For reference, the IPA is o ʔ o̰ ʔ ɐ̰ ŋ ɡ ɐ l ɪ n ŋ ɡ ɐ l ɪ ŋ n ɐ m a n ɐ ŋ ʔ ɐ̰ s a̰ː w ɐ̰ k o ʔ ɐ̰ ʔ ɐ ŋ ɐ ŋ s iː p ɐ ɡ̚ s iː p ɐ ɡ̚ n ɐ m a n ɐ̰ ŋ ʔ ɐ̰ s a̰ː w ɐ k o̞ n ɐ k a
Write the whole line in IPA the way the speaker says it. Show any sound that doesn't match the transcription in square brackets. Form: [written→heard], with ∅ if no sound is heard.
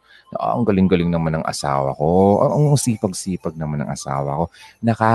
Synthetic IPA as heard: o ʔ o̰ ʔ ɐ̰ ŋ ɡ ɐ l ɪ [n→∅] ŋ ɡ ɐ l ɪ ŋ n ɐ m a n ɐ ŋ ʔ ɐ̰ s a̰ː w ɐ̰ k o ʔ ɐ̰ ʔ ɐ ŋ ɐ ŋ s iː p ɐ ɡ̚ s iː p ɐ ɡ̚ n ɐ m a n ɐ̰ ŋ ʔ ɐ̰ s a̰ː w ɐ k o̞ n ɐ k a